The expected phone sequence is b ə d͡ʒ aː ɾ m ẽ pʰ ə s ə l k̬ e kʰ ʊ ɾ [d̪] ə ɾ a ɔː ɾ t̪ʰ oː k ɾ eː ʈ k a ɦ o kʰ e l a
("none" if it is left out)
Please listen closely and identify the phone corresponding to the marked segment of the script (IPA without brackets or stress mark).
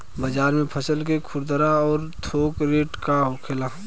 d̪